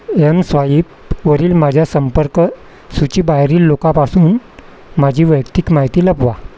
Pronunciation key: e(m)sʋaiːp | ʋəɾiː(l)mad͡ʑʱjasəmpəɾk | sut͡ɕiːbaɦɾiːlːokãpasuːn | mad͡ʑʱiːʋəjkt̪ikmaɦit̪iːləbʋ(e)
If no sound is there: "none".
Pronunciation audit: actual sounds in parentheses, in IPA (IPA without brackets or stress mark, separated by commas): m, l, a